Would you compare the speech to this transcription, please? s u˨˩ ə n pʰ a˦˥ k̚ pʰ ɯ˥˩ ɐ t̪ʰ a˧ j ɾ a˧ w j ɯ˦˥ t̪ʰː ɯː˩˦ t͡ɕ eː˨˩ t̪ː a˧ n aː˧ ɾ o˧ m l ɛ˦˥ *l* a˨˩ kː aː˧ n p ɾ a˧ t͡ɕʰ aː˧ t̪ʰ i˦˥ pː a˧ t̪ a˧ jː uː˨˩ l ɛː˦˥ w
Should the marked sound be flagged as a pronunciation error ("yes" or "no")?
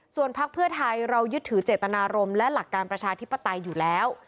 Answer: no